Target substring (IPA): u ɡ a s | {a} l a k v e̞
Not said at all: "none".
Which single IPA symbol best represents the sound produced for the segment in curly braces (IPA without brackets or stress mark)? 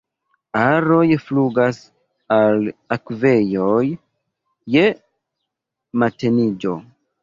a